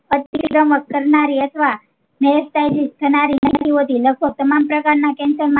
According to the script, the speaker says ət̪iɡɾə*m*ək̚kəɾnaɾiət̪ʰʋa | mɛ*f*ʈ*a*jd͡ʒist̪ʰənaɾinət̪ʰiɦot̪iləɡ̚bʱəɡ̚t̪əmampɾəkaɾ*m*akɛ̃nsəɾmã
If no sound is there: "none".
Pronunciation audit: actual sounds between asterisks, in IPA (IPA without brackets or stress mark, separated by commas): m, s, a, n